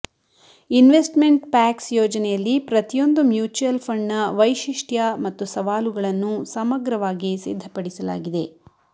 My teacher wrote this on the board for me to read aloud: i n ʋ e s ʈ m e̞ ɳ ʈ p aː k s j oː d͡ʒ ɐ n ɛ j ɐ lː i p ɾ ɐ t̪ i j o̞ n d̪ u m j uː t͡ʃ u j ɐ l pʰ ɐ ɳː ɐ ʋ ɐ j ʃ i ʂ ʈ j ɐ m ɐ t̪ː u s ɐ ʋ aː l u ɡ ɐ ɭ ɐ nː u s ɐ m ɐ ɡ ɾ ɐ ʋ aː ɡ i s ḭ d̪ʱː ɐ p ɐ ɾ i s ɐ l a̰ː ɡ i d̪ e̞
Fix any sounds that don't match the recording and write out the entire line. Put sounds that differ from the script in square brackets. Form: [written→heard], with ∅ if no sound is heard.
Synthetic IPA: i n ʋ e s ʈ m e̞ ɳ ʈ p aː k s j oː d͡ʒ ɐ n ɛ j ɐ lː i p ɾ ɐ t̪ i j o̞ n d̪ u m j uː t͡ʃ u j ɐ l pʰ ɐ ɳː ɐ ʋ ɐ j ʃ i ʂ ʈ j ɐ m ɐ t̪ː u s ɐ ʋ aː l u ɡ ɐ ɭ ɐ nː u s ɐ m ɐ ɡ ɾ ɐ ʋ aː ɡ i s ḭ d̪ʱː ɐ p ɐ [ɾ→ɽ] i s ɐ l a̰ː ɡ i d̪ e̞